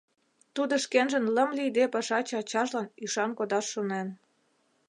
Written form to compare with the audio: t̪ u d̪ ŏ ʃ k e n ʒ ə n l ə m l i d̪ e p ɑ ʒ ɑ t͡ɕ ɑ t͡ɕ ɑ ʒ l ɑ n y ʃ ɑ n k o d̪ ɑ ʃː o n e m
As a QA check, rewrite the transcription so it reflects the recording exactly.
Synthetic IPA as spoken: t̪ u d̪ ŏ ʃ k e n ʒ ə n l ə m l i d̪ e p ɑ ʃ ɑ t͡ɕ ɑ t͡ɕ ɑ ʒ l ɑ n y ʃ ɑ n k o d̪ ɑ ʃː o n e n